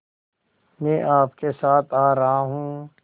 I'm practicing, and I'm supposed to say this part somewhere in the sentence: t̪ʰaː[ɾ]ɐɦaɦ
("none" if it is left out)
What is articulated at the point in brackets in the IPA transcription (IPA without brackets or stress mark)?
ɾ